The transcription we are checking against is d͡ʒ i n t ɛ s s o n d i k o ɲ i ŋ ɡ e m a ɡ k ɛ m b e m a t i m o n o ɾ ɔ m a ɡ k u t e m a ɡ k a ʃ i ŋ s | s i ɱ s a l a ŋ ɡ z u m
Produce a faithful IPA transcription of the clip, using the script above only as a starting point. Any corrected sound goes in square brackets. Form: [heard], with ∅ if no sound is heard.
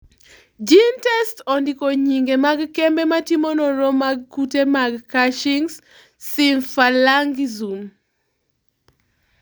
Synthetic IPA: d͡ʒ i n t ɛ s [t] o n d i k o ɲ i ŋ ɡ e m a ɡ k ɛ m b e m a t i m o n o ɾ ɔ m a ɡ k u t e m a ɡ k a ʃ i ŋ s | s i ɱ [f] a l a ŋ ɡ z u m